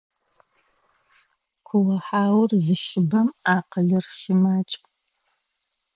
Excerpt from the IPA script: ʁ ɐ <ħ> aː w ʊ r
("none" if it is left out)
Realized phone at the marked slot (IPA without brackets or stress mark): ħ